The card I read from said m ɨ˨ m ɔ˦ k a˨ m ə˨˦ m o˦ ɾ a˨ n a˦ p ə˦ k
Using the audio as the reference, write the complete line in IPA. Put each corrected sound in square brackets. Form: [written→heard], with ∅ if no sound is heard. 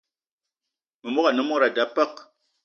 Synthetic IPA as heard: m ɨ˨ m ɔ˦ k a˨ [m→n] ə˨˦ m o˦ ɾ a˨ [n→d] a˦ p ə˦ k